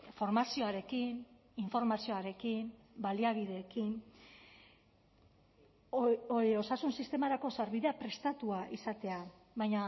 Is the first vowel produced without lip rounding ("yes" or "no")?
no